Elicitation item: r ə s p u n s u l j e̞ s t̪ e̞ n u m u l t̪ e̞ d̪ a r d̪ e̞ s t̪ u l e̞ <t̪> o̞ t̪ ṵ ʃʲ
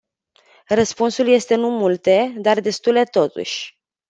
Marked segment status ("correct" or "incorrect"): correct